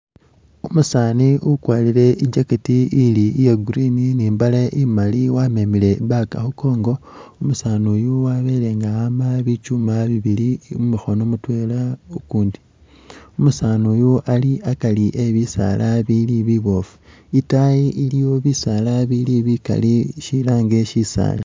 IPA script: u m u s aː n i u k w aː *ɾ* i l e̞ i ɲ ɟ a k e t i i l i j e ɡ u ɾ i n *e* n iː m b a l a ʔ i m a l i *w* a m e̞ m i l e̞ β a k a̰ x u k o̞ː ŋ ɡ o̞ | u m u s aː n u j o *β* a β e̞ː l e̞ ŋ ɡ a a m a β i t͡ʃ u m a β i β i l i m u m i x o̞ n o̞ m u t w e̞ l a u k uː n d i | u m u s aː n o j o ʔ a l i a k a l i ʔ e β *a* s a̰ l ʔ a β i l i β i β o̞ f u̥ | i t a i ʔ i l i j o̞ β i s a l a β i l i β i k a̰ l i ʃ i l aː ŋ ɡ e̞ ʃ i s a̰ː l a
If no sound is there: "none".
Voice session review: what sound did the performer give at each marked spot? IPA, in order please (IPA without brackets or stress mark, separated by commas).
l, i, w, w, i